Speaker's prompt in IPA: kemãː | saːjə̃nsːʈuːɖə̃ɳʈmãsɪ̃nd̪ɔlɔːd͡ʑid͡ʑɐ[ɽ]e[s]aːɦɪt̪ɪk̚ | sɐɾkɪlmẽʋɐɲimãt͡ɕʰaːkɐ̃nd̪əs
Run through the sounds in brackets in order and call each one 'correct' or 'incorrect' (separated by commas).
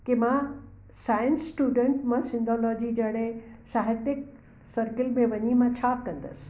correct, correct